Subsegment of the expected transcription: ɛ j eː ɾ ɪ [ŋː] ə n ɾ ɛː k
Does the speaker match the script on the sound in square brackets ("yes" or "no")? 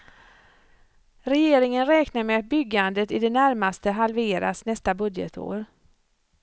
no